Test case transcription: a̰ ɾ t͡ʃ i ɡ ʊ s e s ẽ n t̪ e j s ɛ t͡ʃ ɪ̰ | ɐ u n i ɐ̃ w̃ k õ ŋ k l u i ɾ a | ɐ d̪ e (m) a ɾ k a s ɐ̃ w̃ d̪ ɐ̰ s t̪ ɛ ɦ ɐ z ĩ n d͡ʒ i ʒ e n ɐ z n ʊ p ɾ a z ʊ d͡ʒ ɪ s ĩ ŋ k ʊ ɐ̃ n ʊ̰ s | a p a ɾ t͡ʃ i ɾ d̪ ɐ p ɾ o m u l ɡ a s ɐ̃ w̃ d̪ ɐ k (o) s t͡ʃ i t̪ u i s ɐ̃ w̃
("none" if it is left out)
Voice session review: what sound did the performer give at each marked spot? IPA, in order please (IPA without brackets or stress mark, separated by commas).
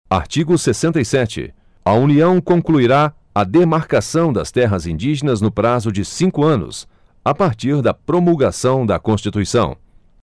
m, õ